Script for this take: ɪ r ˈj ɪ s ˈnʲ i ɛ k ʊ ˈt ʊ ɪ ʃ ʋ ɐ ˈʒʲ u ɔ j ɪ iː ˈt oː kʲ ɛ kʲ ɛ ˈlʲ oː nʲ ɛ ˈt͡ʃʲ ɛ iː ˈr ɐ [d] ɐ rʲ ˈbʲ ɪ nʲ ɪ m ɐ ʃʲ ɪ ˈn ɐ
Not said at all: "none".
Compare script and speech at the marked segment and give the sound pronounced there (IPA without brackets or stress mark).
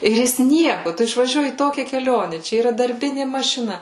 d